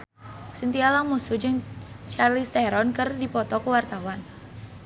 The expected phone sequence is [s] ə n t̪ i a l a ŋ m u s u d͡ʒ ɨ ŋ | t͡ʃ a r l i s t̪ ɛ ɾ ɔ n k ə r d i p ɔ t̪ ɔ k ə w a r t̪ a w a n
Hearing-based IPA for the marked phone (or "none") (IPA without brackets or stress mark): s